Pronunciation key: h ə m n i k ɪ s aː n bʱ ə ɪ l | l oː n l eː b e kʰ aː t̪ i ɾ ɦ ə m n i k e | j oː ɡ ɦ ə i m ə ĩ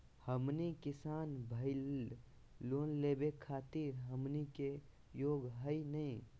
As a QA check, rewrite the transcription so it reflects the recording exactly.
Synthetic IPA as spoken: h ə m n i k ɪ s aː n bʱ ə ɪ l | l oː n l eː b e kʰ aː t̪ i ɾ ɦ ə m n i k e | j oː ɡ ɦ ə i n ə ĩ